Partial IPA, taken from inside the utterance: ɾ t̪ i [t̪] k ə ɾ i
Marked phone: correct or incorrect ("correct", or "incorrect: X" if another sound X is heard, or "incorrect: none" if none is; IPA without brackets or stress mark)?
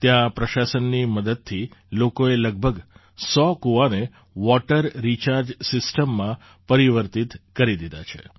correct